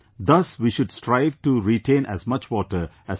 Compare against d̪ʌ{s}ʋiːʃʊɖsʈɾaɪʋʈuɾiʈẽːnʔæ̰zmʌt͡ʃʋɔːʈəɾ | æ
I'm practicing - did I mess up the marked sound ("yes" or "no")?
no